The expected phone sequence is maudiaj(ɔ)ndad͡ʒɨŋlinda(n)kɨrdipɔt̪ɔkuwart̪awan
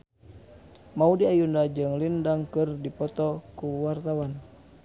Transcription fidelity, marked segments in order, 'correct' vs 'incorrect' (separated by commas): incorrect, incorrect